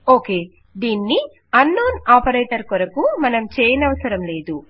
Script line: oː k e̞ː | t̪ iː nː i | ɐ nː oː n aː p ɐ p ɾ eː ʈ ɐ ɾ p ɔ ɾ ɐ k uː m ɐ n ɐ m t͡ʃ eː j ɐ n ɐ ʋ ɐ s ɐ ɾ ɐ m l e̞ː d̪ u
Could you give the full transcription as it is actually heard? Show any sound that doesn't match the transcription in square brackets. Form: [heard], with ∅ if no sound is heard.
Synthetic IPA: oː k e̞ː | [d̪] iː nː i | ɐ nː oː n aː p ɐ [∅] ɾ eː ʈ ɐ ɾ [k] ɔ ɾ ɐ k [u] m ɐ n ɐ m t͡ʃ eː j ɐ n ɐ ʋ ɐ s ɐ ɾ ɐ m l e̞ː d̪ u

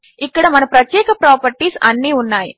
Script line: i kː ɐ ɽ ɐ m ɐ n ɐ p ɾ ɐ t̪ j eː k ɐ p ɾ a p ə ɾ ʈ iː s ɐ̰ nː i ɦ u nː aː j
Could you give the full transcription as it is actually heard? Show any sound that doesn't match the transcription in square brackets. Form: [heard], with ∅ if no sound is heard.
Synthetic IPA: i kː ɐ ɽ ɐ m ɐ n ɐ p ɾ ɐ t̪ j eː k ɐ p ɾ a p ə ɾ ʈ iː s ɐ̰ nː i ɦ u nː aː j

